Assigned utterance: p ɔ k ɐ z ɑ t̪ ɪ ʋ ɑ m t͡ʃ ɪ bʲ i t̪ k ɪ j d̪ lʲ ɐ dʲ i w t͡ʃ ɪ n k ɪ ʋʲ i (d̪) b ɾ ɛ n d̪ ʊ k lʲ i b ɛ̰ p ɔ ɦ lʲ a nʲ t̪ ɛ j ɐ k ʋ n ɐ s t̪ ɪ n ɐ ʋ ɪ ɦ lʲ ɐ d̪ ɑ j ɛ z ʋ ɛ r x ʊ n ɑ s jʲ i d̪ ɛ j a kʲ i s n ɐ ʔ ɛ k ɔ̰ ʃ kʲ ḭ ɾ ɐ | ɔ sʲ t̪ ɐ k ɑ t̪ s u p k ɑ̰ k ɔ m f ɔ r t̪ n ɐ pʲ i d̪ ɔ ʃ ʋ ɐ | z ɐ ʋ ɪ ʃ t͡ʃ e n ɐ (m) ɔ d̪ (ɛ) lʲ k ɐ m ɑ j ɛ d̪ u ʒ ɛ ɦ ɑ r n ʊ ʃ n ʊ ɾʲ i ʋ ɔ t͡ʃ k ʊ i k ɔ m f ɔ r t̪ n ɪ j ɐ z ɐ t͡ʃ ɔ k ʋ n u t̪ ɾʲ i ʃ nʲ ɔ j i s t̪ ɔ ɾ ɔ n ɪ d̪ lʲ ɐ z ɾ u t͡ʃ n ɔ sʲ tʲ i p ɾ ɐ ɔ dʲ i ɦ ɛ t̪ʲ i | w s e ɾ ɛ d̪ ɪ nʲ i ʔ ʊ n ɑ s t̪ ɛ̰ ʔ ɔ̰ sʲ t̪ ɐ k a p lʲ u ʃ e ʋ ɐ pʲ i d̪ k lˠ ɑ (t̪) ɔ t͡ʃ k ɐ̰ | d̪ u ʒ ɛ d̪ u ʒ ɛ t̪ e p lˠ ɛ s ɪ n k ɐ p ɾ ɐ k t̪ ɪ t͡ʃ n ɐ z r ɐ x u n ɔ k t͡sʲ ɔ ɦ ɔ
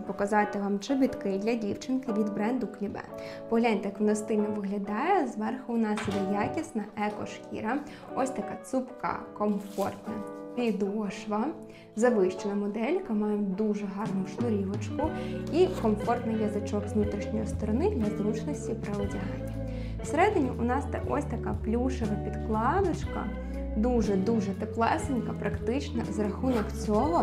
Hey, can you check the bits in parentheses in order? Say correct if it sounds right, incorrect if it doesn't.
correct, correct, correct, incorrect: d̪

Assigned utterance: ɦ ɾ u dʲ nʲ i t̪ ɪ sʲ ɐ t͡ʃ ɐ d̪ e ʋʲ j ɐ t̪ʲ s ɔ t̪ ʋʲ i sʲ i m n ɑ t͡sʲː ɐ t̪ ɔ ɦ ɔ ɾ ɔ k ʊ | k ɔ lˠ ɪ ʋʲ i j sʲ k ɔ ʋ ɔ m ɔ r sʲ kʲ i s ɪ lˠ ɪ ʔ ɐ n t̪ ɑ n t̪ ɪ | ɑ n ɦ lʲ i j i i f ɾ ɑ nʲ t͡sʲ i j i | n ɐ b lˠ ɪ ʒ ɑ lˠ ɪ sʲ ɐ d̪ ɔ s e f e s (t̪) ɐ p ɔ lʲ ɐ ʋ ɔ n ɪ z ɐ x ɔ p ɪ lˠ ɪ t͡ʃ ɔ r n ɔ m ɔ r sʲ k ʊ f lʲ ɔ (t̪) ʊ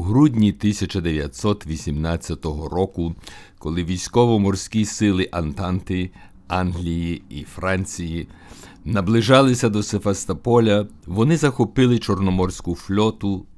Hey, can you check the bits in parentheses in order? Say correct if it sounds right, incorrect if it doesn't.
correct, correct

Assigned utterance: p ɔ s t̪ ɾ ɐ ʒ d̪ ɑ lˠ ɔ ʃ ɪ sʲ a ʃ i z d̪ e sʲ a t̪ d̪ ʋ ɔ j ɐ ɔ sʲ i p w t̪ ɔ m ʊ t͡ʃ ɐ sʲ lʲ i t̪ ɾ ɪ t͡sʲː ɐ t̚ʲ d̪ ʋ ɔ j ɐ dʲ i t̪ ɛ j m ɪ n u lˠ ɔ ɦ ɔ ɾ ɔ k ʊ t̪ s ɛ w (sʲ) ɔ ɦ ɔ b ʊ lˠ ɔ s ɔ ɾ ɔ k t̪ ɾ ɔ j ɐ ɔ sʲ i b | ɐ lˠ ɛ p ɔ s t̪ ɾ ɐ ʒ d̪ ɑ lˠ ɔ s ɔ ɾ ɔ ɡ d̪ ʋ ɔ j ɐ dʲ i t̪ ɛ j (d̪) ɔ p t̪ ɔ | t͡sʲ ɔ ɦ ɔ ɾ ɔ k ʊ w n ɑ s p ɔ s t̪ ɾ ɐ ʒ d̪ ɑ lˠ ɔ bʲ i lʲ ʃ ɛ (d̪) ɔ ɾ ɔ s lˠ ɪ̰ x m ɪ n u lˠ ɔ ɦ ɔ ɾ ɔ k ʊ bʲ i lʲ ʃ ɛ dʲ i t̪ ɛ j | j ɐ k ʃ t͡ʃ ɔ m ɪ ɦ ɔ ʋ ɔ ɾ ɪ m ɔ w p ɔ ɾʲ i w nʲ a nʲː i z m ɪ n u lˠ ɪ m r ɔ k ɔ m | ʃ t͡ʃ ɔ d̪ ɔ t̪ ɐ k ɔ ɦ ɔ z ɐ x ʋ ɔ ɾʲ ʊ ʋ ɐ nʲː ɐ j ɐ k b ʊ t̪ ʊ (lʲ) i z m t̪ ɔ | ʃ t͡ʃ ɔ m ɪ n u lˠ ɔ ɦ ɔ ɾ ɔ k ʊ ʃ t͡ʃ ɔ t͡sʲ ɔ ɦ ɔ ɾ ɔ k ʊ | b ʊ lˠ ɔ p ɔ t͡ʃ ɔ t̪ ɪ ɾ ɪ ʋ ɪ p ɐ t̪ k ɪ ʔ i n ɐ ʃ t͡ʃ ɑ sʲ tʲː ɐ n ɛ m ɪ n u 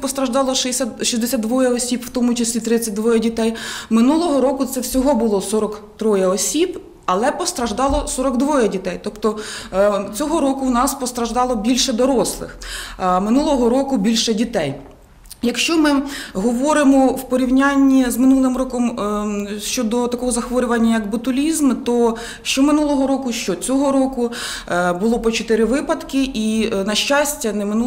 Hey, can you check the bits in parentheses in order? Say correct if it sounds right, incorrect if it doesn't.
correct, incorrect: t̪, correct, correct

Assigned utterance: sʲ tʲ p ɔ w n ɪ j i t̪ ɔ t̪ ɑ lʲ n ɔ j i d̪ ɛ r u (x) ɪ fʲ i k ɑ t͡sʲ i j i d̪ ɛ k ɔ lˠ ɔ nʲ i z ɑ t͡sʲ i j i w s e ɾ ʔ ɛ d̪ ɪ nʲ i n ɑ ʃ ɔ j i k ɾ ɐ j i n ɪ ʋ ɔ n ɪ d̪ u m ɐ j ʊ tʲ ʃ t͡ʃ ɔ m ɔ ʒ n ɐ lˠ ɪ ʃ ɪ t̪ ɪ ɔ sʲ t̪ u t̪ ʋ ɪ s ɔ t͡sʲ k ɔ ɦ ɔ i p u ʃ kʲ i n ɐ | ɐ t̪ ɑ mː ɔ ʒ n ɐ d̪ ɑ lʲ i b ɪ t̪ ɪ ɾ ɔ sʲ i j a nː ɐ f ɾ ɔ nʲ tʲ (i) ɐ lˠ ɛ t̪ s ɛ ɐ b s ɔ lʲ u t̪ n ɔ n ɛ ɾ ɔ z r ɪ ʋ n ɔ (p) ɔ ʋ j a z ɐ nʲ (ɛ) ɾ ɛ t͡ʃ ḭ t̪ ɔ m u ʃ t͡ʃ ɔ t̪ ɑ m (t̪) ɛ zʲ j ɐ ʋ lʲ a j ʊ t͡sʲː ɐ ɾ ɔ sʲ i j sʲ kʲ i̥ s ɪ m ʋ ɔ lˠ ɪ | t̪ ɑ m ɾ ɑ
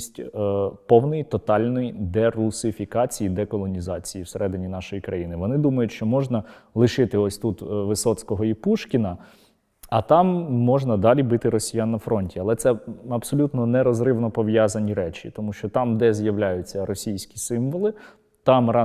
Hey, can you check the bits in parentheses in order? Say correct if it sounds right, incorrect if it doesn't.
incorrect: s, correct, correct, incorrect: i, incorrect: d̪

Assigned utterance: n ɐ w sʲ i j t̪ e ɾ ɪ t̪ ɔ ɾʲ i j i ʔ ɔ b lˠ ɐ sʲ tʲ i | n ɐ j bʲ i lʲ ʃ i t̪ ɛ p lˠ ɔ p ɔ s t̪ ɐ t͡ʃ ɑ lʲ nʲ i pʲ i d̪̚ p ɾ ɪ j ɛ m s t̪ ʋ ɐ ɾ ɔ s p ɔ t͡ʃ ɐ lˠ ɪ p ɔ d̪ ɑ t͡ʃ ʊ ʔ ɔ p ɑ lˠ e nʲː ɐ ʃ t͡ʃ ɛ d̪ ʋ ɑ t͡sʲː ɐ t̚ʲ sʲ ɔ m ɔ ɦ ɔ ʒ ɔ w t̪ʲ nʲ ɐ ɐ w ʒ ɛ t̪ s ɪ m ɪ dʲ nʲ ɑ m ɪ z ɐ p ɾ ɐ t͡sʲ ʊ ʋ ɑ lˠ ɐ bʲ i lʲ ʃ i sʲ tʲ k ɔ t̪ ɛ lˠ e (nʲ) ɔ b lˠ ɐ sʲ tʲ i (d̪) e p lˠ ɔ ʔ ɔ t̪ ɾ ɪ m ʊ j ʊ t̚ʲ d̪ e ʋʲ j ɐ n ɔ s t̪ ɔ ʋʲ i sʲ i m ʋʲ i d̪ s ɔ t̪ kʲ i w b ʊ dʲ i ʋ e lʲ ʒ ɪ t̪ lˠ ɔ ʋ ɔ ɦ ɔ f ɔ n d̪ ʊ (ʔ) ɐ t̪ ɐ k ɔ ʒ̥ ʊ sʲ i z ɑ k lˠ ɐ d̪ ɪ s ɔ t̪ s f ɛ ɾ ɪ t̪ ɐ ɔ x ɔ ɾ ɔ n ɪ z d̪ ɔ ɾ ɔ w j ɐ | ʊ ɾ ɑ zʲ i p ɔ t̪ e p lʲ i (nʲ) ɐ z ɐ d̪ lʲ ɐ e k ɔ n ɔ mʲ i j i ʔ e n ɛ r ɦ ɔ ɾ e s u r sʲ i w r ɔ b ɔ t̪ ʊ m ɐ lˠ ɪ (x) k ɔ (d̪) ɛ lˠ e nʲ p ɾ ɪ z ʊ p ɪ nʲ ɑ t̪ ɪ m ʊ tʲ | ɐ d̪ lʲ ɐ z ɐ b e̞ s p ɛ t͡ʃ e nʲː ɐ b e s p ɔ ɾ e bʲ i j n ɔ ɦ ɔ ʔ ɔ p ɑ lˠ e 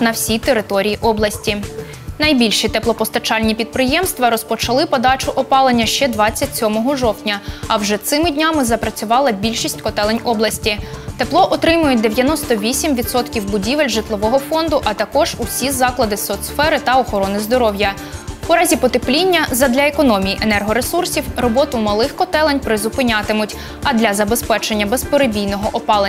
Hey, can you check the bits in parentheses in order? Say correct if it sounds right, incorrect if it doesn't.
correct, incorrect: t̪, correct, incorrect: nʲː, correct, incorrect: t̪

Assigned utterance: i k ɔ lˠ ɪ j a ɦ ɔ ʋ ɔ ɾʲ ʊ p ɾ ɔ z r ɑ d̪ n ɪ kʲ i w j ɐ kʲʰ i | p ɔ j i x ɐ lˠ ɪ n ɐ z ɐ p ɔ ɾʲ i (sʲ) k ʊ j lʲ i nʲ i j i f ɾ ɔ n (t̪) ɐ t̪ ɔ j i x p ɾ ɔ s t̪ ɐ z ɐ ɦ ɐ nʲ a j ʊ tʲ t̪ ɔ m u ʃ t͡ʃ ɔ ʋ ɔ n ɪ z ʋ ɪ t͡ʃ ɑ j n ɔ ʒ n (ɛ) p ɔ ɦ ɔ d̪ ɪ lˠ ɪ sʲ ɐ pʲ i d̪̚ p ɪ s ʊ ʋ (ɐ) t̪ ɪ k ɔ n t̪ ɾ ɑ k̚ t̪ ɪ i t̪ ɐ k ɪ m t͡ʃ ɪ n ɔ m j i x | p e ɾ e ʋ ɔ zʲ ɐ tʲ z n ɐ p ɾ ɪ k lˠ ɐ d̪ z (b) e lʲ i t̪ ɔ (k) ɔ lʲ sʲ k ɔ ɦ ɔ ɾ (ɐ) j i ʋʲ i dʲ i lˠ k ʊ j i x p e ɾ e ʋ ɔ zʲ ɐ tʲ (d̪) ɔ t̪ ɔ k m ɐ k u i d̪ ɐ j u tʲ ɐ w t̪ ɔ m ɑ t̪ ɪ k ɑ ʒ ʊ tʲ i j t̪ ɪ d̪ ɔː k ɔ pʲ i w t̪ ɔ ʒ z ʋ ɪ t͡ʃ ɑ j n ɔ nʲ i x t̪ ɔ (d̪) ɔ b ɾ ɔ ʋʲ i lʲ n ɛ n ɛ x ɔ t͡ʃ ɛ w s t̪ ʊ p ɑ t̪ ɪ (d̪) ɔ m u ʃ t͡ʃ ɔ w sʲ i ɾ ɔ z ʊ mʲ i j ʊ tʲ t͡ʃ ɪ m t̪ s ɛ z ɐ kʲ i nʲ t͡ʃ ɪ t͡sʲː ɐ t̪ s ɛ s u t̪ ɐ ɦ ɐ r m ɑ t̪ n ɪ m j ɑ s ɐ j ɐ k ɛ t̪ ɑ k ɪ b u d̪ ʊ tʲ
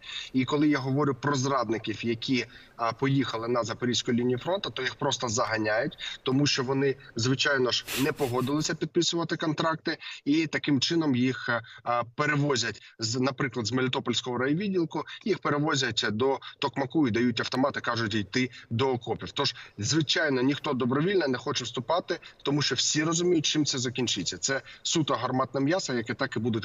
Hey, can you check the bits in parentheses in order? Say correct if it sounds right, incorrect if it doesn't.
correct, correct, correct, correct, incorrect: m, incorrect: p, correct, correct, correct, incorrect: t̪

